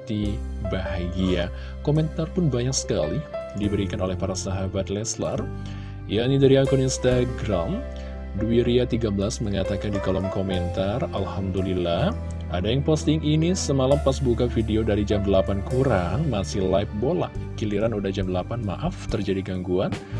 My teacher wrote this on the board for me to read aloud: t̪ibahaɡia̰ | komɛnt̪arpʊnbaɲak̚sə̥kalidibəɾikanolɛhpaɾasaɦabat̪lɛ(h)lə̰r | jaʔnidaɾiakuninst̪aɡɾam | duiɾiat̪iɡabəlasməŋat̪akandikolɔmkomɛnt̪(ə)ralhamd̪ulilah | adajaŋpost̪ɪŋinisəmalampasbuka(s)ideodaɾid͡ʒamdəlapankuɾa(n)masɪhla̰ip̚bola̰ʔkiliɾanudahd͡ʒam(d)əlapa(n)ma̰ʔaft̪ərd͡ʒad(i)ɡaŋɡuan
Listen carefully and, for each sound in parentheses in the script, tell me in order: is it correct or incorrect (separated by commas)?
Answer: incorrect, incorrect, incorrect, incorrect, correct, correct, correct